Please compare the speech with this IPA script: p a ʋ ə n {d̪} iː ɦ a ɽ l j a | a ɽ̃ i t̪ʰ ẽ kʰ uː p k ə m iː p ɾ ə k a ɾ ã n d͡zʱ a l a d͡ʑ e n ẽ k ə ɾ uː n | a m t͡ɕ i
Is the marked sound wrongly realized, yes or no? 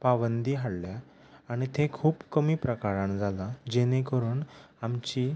no